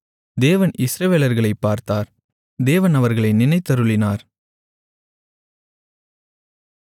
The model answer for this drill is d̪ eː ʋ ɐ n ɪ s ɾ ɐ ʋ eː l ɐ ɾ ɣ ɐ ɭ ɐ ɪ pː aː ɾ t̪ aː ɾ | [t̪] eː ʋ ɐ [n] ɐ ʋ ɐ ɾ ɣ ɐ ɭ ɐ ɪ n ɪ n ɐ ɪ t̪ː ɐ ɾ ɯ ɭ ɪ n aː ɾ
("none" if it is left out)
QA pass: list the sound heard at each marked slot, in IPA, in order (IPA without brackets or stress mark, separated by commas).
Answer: d̪, n